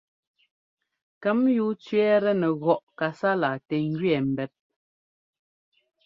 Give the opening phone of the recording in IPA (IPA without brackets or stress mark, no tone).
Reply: k